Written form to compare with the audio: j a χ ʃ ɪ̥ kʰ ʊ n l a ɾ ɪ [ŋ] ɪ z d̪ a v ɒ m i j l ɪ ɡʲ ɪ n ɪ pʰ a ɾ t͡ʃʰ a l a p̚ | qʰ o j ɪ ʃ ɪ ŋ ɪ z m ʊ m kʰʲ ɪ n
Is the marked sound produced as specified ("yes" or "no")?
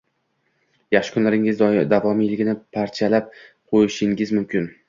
yes